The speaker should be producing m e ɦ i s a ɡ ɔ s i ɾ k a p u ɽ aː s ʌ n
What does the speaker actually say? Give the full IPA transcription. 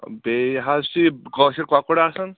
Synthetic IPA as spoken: b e ɦ a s i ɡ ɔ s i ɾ k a k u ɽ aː s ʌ n